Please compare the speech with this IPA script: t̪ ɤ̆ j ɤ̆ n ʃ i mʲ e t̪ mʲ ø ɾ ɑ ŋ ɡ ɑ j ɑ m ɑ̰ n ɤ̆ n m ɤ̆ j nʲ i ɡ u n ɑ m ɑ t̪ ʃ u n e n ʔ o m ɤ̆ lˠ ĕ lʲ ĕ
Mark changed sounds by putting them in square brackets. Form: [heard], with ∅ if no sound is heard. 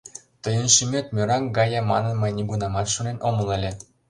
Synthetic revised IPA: t̪ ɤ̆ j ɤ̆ n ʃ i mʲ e t̪ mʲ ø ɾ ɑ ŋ ɡ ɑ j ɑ m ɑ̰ n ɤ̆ n m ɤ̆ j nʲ i ɡ u n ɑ m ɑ t̪ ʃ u n e n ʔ o m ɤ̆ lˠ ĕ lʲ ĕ